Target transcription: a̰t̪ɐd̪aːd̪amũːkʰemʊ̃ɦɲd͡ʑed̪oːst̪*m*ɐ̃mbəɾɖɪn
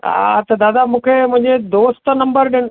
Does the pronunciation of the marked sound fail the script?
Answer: yes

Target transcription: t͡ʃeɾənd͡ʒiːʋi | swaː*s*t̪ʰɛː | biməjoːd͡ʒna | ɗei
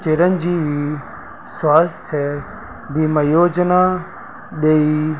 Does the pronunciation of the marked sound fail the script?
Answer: no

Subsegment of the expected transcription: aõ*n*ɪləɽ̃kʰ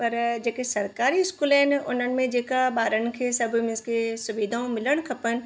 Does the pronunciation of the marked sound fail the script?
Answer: yes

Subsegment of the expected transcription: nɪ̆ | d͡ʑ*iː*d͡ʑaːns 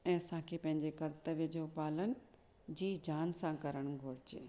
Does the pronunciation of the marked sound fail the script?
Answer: no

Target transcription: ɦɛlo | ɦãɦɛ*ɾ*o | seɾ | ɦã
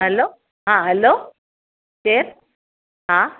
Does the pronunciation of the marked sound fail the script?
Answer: yes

